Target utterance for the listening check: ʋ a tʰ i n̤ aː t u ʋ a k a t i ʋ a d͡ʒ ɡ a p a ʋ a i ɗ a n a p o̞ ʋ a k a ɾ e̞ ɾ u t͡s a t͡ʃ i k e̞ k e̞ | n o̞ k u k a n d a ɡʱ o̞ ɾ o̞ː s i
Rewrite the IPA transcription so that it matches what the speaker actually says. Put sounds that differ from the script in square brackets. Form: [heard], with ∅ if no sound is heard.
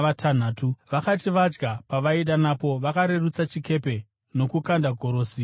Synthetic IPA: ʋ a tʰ [a] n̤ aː t u ʋ a k a t i ʋ a d͡ʒ ɡ a p a ʋ a i ɗ a n a p o̞ ʋ a k a ɾ e̞ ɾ u t͡s a t͡ʃ i k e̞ [p] e̞ | n o̞ k u k a n d a ɡʱ o̞ ɾ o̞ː s i